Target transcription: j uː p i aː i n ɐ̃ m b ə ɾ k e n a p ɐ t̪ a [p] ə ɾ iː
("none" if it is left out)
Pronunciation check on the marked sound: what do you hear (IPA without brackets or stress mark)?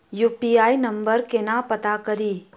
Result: k